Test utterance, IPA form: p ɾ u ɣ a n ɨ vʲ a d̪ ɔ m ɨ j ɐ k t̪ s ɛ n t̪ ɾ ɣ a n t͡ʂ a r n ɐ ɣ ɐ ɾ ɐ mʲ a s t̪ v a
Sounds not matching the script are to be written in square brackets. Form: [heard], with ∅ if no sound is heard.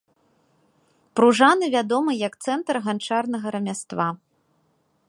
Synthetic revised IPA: p ɾ u [ʐ] a n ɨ vʲ a d̪ ɔ m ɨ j ɐ k t̪ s ɛ n t̪ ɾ ɣ a n t͡ʂ a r n ɐ ɣ ɐ ɾ ɐ mʲ a s t̪ v a